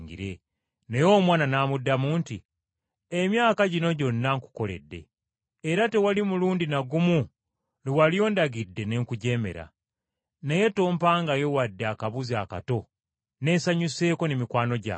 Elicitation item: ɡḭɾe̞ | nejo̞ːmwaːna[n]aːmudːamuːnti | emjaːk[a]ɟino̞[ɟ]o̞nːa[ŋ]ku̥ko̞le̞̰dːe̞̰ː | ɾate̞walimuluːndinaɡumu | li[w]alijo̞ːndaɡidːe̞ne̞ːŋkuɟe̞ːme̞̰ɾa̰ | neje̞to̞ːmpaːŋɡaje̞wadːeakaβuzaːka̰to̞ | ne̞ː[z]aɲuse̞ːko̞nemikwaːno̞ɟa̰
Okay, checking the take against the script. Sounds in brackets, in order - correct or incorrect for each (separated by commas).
correct, correct, correct, correct, correct, incorrect